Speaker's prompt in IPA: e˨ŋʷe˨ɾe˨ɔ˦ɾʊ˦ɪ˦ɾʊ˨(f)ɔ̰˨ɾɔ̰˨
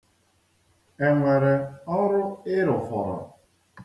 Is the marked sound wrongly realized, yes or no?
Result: no